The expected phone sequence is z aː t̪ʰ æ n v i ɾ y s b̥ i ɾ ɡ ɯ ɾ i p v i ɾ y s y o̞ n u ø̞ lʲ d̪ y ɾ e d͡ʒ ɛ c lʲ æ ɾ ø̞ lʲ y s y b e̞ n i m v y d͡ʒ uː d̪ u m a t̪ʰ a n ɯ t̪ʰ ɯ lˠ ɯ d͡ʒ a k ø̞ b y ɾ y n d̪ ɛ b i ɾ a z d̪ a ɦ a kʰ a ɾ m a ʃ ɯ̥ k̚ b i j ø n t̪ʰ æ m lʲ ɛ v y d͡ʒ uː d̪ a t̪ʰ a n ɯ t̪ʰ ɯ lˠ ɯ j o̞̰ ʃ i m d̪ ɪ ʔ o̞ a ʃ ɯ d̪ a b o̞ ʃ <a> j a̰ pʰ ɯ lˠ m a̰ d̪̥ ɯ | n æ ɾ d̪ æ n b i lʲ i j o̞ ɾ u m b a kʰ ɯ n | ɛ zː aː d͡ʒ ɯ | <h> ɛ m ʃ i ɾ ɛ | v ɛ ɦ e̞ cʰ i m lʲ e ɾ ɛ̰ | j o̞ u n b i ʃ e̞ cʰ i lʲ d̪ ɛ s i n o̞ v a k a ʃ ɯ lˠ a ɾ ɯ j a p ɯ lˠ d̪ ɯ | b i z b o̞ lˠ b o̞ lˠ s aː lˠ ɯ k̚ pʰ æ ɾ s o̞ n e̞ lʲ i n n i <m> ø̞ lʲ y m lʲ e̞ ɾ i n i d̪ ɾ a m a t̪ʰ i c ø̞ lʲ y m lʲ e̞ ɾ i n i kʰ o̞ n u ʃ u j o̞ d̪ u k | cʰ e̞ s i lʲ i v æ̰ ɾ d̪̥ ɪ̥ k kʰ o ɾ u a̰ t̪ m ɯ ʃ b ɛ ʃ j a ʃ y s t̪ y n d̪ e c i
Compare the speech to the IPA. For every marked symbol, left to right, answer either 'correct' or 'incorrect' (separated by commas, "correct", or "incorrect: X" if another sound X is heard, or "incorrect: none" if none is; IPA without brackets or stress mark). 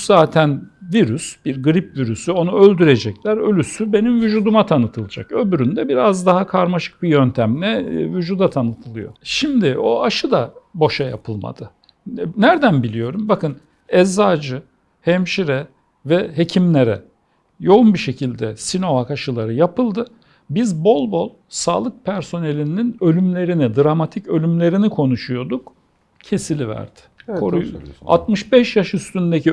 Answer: correct, correct, incorrect: n